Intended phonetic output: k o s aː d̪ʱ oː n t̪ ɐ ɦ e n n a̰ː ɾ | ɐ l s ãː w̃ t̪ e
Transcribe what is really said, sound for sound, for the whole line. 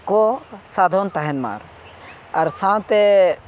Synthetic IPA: k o s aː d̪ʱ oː n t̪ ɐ ɦ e n m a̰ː ɾ | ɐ ɾ s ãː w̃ t̪ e